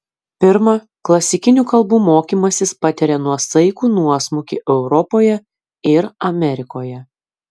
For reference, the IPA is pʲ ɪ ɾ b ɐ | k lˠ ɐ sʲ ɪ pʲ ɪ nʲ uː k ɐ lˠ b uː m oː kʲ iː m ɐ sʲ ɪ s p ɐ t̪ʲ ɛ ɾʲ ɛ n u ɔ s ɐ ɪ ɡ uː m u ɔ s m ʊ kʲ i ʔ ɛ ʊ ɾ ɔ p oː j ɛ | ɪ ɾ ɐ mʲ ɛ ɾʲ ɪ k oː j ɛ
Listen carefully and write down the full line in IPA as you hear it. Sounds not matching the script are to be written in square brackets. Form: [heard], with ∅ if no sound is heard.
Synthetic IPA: pʲ ɪ ɾ [m] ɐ | k lˠ ɐ sʲ ɪ [kʲ] ɪ nʲ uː k ɐ lˠ b uː m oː kʲ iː m ɐ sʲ ɪ s p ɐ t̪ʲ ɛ ɾʲ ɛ n u ɔ s ɐ ɪ [k] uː [n] u ɔ s m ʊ kʲ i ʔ ɛ ʊ ɾ ɔ p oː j ɛ | ɪ ɾ ɐ mʲ ɛ ɾʲ ɪ k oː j ɛ

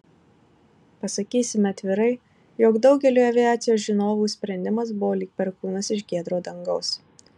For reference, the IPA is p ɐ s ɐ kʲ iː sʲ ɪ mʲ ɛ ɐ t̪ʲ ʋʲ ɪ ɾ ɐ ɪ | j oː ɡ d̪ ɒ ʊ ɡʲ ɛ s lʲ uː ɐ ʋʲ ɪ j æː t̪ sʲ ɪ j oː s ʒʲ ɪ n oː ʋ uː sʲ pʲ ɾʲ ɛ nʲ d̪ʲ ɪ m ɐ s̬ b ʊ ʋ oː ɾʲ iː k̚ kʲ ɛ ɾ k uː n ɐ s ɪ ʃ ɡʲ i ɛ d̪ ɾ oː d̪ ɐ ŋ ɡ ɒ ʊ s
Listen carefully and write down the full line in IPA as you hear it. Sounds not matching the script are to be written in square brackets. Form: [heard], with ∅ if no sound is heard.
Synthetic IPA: p ɐ s ɐ kʲ iː sʲ ɪ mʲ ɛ ɐ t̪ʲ ʋʲ ɪ ɾ ɐ ɪ | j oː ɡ d̪ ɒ ʊ ɡʲ ɛ [∅] lʲ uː ɐ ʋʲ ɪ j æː t̪ sʲ ɪ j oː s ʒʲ ɪ n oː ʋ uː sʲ pʲ ɾʲ ɛ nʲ d̪ʲ ɪ m ɐ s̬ b ʊ ʋ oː [lʲ] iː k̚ [pʲ] ɛ ɾ k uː n ɐ s ɪ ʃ ɡʲ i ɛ d̪ ɾ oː d̪ ɐ ŋ ɡ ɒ ʊ s

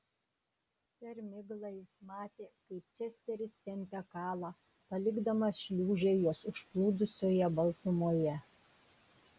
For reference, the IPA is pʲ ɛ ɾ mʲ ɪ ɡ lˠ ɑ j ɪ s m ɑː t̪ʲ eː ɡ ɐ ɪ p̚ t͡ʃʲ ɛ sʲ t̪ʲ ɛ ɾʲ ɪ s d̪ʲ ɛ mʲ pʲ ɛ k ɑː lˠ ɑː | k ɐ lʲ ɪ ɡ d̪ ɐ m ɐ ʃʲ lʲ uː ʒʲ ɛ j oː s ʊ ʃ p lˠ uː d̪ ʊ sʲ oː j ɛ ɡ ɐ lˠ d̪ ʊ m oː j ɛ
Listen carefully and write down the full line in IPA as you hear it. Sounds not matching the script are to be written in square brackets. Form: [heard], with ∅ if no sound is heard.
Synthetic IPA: pʲ ɛ ɾ mʲ ɪ ɡ lˠ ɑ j ɪ s m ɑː t̪ʲ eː [k] ɐ ɪ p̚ t͡ʃʲ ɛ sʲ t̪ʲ ɛ ɾʲ ɪ s [t̪ʲ] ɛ mʲ pʲ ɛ k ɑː lˠ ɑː | [p] ɐ lʲ ɪ ɡ d̪ ɐ m ɐ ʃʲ lʲ uː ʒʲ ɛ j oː s ʊ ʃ p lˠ uː d̪ ʊ sʲ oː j ɛ [b] ɐ lˠ [t̪] ʊ m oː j ɛ

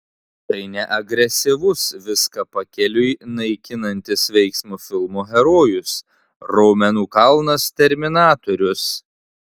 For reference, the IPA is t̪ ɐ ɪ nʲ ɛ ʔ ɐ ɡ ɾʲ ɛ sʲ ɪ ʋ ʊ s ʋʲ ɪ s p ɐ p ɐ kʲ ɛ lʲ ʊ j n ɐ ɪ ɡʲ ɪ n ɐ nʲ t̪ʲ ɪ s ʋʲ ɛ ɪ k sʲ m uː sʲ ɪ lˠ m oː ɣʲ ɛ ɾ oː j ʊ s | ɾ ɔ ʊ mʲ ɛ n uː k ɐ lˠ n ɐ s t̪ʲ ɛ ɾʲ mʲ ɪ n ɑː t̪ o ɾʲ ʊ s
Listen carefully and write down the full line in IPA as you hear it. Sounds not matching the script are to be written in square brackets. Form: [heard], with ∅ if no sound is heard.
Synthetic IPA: t̪ ɐ ɪ nʲ ɛ ʔ ɐ ɡ ɾʲ ɛ sʲ ɪ ʋ ʊ s ʋʲ ɪ s [k] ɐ p ɐ kʲ ɛ lʲ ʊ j n ɐ ɪ [kʲ] ɪ n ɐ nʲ t̪ʲ ɪ s ʋʲ ɛ ɪ k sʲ m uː [fʲ] ɪ lˠ m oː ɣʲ ɛ ɾ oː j ʊ s | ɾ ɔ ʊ mʲ ɛ n uː k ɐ lˠ n ɐ s t̪ʲ ɛ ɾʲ mʲ ɪ n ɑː t̪ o ɾʲ ʊ s

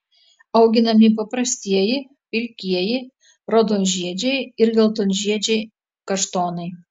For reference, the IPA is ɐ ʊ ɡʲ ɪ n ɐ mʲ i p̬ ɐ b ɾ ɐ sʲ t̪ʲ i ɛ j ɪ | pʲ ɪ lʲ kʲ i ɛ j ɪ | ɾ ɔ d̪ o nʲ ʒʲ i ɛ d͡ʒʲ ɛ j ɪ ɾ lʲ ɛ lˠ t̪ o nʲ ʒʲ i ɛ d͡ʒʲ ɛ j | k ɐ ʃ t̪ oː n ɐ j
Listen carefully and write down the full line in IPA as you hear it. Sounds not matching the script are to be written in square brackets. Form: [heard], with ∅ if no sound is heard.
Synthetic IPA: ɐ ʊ ɡʲ ɪ n ɐ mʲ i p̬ ɐ [p] ɾ ɐ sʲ t̪ʲ i ɛ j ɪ | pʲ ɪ lʲ kʲ i ɛ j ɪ | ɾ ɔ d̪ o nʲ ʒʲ i ɛ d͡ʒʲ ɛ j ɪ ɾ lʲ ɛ lˠ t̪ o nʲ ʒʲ i ɛ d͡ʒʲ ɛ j | k ɐ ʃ t̪ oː n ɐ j

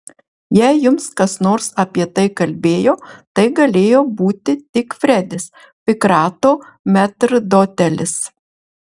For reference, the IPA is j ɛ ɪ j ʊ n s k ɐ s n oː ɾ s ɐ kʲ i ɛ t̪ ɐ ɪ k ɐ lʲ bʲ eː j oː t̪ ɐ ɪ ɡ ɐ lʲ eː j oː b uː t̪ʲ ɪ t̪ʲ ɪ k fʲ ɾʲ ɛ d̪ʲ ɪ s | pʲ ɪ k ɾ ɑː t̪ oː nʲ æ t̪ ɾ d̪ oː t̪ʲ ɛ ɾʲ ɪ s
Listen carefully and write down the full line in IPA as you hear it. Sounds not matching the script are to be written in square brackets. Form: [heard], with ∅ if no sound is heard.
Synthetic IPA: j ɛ ɪ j ʊ [m] s k ɐ s n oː ɾ s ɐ [pʲ] i ɛ t̪ ɐ ɪ k ɐ lʲ bʲ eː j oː t̪ ɐ ɪ ɡ ɐ lʲ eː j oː b uː t̪ʲ ɪ t̪ʲ ɪ k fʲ ɾʲ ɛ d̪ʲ ɪ s | pʲ ɪ k ɾ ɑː t̪ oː [mʲ] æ t̪ ɾ d̪ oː t̪ʲ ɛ [lʲ] ɪ s

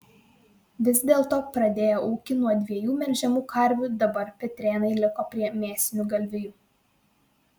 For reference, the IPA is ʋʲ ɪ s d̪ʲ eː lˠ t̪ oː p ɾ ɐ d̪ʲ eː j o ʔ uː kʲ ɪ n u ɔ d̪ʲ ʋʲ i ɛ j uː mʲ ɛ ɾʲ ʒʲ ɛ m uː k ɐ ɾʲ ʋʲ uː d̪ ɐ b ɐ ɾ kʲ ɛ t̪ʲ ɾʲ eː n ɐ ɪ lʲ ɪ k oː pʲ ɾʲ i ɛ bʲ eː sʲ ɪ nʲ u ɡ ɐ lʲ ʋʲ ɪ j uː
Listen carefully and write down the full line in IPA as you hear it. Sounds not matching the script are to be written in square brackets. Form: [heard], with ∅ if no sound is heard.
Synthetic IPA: ʋʲ ɪ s d̪ʲ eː lˠ t̪ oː p ɾ ɐ d̪ʲ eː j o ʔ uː kʲ ɪ n u ɔ d̪ʲ ʋʲ i ɛ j uː mʲ ɛ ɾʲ ʒʲ ɛ m uː k ɐ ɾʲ ʋʲ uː d̪ ɐ b ɐ ɾ [pʲ] ɛ t̪ʲ ɾʲ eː n ɐ ɪ lʲ ɪ k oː pʲ ɾʲ i ɛ [mʲ] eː sʲ ɪ nʲ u ɡ ɐ lʲ ʋʲ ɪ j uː

